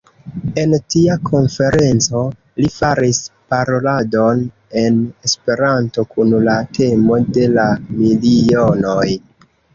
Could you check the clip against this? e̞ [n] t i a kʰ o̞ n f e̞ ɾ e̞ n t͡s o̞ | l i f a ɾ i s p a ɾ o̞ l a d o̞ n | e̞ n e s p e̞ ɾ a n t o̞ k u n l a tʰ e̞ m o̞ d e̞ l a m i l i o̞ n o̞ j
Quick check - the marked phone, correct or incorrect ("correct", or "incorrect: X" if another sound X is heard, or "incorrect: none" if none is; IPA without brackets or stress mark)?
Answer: correct